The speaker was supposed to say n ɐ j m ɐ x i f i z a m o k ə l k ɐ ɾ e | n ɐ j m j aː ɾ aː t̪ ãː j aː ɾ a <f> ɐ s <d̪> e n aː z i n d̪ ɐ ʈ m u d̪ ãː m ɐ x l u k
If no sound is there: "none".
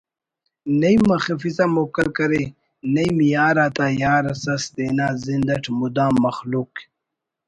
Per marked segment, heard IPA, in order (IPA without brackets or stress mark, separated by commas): s, d̪